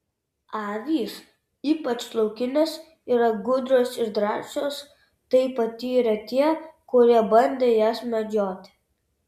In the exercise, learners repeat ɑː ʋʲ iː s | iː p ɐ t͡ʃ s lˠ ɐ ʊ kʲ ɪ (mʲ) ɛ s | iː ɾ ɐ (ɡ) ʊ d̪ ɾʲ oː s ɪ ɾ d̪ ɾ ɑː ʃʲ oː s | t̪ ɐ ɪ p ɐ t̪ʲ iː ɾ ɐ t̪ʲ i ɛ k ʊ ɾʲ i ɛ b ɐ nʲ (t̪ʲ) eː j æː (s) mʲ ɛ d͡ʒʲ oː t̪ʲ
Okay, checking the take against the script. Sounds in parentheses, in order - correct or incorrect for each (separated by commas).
incorrect, correct, incorrect, correct